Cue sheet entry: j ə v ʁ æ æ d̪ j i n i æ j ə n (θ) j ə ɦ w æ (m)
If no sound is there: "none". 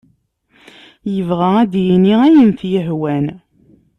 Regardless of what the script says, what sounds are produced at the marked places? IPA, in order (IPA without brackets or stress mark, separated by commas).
θ, n